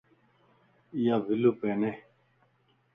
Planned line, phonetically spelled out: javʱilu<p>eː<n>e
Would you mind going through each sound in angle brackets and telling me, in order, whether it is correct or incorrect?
correct, correct

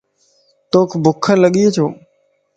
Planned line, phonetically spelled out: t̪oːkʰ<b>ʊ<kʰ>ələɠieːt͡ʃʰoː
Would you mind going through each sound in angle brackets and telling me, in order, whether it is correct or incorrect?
correct, correct

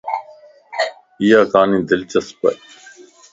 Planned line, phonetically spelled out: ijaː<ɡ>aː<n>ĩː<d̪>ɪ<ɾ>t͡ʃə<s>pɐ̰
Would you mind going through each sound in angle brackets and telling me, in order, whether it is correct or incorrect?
incorrect: k, correct, correct, incorrect: l, correct

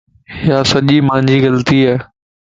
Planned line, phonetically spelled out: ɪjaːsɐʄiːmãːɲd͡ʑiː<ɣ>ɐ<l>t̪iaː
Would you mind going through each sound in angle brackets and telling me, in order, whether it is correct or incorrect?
correct, correct

